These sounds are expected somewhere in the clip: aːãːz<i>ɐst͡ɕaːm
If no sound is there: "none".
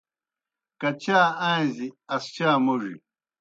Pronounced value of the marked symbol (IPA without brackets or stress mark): i